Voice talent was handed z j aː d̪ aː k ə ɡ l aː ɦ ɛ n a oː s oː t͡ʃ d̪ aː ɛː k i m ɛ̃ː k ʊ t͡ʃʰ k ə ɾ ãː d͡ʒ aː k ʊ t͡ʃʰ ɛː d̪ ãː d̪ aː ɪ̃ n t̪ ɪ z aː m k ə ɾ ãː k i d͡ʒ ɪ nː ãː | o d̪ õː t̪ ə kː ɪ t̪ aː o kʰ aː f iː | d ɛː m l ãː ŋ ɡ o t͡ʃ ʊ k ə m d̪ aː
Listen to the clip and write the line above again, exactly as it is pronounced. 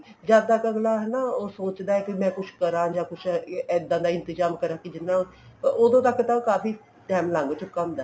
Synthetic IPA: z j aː d̪ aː k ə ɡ l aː ɦ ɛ n a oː s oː t͡ʃ d̪ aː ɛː k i m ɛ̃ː k ʊ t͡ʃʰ k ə ɾ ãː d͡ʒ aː k ʊ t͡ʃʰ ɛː d̪ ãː d̪ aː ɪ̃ n t̪ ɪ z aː m k ə ɾ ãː k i d͡ʒ ɪ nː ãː | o d̪ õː t̪ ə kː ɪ t̪ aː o k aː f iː | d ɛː m l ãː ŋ ɡ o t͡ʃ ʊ k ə m d̪ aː